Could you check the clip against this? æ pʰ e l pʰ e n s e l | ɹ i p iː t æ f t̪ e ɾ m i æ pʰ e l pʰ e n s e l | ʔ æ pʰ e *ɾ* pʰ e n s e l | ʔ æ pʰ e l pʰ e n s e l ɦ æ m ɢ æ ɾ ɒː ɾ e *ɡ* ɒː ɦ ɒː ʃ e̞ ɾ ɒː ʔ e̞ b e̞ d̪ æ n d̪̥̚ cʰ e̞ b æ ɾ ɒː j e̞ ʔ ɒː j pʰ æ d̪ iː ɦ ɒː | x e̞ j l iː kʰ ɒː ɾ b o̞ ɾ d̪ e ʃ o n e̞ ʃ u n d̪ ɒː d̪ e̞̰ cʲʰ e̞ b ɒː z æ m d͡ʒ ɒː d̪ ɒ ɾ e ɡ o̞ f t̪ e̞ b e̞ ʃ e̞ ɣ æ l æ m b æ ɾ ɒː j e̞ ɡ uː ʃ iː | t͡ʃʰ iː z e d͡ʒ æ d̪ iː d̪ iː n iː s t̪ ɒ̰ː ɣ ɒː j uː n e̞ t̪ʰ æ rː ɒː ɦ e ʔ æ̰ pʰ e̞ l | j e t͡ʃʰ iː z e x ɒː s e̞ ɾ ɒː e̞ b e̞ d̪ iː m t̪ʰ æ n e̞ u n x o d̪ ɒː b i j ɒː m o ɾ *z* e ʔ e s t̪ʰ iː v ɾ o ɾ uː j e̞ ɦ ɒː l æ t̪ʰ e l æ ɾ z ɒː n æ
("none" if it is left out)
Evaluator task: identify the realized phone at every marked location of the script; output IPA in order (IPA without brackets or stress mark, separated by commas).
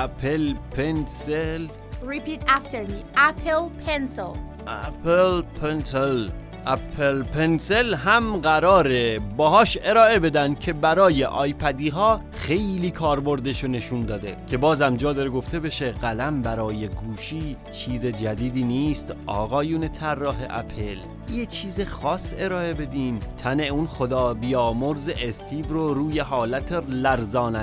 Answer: l, b, z